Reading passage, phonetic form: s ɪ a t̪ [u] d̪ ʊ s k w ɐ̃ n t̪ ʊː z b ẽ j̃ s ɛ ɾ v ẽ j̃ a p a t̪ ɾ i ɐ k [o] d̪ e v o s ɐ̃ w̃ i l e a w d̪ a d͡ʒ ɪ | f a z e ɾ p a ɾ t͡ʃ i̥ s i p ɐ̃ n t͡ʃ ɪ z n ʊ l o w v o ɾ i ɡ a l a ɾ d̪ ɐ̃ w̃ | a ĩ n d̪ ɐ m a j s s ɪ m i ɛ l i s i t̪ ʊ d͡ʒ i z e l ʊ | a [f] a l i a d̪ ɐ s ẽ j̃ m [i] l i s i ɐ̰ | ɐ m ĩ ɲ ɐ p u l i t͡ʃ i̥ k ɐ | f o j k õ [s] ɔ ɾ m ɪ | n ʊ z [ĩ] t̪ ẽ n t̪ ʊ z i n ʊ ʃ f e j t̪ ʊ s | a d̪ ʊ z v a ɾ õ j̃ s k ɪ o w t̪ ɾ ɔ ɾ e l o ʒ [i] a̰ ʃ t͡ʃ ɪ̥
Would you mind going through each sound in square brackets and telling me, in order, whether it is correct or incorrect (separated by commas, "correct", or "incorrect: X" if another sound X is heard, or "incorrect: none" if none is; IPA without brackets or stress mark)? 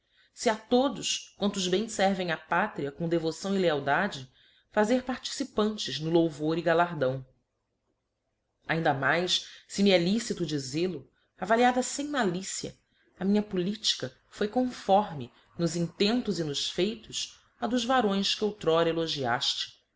incorrect: o, incorrect: õ, incorrect: v, incorrect: a, incorrect: f, correct, correct